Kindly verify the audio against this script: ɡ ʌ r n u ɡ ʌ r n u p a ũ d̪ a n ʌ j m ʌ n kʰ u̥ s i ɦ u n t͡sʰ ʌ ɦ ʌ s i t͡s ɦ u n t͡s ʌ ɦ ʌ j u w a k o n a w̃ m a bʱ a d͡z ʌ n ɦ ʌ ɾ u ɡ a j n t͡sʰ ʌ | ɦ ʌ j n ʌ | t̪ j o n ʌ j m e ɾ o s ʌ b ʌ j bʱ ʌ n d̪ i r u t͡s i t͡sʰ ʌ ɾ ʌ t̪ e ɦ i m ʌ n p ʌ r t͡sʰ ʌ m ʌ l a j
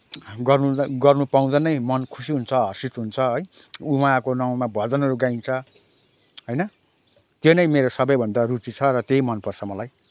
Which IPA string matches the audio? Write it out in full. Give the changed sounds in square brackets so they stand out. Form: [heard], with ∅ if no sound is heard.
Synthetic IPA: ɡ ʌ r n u ɡ ʌ r n u p a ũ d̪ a n ʌ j m ʌ n kʰ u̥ s i ɦ u n t͡sʰ ʌ ɦ ʌ s i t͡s ɦ u n [t͡sʰ] ʌ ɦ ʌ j u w a k o n a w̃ m a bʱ [ʌ] d͡z ʌ n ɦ ʌ ɾ u ɡ a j n t͡sʰ ʌ | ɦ ʌ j n ʌ | t̪ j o n ʌ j m e ɾ o s ʌ b ʌ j bʱ ʌ n d̪ [a] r u t͡s i t͡sʰ ʌ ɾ ʌ t̪ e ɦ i m ʌ n p ʌ r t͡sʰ ʌ m ʌ l a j